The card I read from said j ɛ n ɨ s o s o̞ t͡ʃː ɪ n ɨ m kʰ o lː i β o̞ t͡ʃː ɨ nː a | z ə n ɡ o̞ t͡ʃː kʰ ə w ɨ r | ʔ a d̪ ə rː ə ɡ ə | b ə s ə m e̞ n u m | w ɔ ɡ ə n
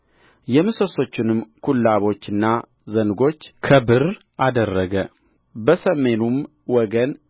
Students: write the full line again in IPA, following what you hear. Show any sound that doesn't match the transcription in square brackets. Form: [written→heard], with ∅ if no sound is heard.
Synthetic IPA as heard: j ɛ [n→m] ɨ s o s o̞ t͡ʃː ɪ n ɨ m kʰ [o→u] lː [i→a] β o̞ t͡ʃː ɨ nː a | z ə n ɡ o̞ t͡ʃː kʰ ə [w→b] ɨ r | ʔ a d̪ ə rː ə ɡ ə | b ə s ə m e̞ n u m | w ɔ ɡ ə n